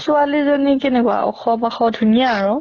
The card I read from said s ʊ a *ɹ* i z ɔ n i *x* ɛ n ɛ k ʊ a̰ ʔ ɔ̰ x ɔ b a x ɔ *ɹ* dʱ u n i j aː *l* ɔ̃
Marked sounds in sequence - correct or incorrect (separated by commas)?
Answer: incorrect, incorrect, incorrect, incorrect